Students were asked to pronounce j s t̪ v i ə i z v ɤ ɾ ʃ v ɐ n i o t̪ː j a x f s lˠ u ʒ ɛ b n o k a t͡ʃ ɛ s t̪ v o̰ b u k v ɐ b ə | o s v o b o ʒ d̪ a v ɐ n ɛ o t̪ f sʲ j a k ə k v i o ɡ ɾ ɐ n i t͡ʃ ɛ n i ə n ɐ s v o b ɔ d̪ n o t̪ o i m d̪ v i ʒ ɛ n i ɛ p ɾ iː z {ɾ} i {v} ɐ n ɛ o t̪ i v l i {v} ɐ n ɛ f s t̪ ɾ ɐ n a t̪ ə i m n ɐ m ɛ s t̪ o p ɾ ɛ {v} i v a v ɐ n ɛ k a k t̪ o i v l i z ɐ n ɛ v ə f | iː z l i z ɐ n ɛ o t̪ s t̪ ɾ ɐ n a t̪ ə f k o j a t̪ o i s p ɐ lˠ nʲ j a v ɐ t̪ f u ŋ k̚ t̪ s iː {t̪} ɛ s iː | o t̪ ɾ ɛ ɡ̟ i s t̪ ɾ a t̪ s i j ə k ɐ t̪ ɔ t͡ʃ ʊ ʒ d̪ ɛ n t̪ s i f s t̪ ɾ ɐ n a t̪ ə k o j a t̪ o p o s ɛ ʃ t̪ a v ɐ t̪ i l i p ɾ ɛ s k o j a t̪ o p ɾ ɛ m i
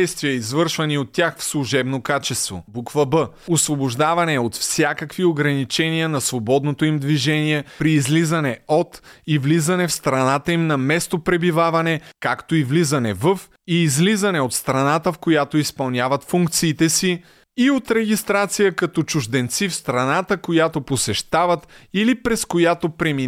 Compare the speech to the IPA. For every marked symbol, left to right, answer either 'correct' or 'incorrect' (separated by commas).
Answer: incorrect, incorrect, incorrect, incorrect, correct